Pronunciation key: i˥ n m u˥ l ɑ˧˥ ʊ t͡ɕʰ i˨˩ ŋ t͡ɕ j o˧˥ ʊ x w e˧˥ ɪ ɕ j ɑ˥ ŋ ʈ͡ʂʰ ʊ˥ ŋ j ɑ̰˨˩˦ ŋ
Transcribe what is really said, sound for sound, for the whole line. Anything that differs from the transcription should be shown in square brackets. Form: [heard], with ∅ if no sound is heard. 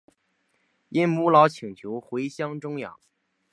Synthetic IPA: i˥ n m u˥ l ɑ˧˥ ʊ t͡ɕʰ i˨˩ ŋ [t͡ɕʰ] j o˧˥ ʊ x w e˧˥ ɪ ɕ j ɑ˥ ŋ [ʈ͡ʂ] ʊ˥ ŋ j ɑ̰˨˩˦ ŋ